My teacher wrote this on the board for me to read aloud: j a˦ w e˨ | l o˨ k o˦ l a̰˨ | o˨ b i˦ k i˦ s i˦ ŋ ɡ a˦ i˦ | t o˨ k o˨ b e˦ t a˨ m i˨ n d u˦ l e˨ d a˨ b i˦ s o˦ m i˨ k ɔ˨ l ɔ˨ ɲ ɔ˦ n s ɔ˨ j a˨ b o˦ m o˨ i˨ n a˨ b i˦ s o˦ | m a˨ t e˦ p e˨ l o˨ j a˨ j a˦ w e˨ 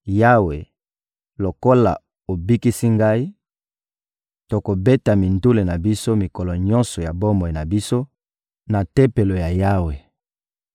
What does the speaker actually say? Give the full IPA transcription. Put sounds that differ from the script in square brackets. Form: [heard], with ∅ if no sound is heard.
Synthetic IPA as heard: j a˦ w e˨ | l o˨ k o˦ l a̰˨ | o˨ b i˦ k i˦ s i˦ ŋ ɡ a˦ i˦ | t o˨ k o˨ b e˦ t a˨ m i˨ n d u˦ l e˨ [n] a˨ b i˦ s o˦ m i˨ k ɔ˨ l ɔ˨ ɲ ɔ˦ n s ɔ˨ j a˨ b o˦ m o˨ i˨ n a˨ b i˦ s o˦ | [n] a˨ t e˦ p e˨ l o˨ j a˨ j a˦ w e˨